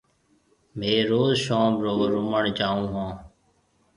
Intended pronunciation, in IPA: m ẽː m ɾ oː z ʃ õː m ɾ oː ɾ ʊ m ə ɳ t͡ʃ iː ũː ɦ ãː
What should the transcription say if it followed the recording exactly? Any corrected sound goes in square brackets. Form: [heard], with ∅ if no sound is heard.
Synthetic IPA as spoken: m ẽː [∅] ɾ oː z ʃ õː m ɾ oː ɾ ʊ m ə ɳ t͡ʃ [aː] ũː ɦ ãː

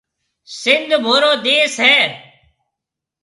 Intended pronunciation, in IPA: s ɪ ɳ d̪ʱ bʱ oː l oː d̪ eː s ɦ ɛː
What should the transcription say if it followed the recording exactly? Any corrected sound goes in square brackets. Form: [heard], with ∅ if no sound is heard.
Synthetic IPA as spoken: s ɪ [n] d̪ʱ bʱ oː [ɾ] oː d̪ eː s ɦ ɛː

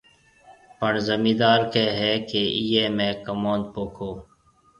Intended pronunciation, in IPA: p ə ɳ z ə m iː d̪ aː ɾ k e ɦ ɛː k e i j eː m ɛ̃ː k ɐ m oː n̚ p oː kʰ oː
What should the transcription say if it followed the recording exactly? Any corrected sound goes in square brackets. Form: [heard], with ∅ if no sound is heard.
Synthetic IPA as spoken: p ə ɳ z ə m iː d̪ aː ɾ k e ɦ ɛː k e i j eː m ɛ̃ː k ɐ m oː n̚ p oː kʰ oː

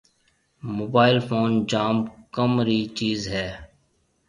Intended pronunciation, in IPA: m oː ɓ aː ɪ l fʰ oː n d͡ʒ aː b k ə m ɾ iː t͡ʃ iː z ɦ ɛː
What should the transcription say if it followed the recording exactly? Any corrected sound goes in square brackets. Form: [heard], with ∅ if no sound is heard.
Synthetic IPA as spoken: m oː [b] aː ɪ l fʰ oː n d͡ʒ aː [m] k ə m ɾ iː t͡ʃ iː z ɦ ɛː

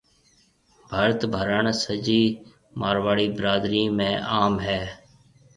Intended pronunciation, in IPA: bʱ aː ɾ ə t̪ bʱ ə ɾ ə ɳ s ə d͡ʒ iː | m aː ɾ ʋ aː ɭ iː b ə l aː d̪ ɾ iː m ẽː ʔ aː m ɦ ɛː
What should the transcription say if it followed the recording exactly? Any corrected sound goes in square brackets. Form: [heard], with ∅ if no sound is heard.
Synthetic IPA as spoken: bʱ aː ɾ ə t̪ bʱ ə ɾ ə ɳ s ə d͡ʒ iː | m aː ɾ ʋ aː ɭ iː b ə [ɾ] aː d̪ ɾ iː m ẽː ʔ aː m ɦ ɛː

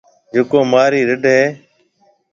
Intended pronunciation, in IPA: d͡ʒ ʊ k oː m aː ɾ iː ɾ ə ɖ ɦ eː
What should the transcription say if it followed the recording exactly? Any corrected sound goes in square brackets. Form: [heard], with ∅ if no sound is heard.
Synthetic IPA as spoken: d͡ʒ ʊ k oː m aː ɾ iː ɾ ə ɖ ɦ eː

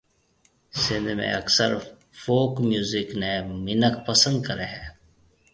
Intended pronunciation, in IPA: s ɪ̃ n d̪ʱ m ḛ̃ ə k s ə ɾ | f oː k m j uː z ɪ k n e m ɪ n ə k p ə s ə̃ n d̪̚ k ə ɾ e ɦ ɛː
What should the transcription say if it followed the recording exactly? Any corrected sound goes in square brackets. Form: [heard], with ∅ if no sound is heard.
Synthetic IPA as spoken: s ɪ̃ n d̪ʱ m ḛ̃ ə k s ə ɾ | f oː k m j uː z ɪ k n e m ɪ n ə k p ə s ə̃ n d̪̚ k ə ɾ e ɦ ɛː

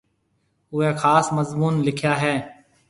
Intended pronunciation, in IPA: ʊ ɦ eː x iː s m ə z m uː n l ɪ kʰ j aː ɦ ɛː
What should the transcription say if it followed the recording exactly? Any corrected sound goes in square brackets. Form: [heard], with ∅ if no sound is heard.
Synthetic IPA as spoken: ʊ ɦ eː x [aː] s m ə z m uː n l ɪ kʰ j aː ɦ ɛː

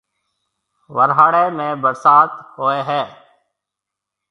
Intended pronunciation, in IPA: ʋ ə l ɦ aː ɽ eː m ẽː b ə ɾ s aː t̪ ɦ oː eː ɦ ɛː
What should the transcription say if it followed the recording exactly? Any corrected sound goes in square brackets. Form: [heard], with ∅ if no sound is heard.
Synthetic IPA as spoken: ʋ ə [ɾ] ɦ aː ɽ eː m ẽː b ə ɾ s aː t̪ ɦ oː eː ɦ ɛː

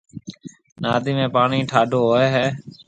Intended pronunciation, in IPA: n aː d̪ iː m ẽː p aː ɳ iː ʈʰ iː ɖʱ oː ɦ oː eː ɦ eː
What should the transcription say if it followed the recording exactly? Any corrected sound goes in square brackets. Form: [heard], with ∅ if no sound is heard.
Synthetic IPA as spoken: n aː d̪ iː m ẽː p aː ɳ iː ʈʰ [aː] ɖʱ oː ɦ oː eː ɦ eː

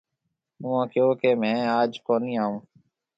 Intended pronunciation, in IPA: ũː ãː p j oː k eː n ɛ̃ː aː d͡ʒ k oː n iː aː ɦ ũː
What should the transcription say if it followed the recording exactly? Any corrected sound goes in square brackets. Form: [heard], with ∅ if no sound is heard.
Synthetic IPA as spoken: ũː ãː [k] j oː k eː [m] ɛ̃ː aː d͡ʒ k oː n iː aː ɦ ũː

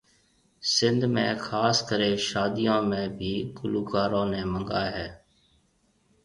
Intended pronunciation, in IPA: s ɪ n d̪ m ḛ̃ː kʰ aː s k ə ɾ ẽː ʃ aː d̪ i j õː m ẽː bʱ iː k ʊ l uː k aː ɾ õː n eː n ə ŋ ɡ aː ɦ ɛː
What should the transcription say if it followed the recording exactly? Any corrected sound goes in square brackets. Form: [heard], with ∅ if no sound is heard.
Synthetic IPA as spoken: s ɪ n d̪ m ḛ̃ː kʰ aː s k ə ɾ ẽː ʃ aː d̪ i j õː m ẽː bʱ iː k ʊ l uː k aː ɾ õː n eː [m] ə ŋ ɡ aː ɦ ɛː

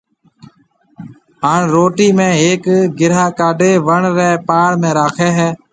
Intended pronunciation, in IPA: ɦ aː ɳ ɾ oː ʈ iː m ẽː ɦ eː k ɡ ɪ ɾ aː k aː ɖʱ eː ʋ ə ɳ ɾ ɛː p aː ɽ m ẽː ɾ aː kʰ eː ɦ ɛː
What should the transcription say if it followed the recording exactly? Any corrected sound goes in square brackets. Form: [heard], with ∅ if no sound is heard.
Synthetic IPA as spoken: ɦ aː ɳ ɾ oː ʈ iː m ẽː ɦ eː k ɡ ɪ ɾ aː k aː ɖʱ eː ʋ ə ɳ ɾ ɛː p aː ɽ m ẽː ɾ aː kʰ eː ɦ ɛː

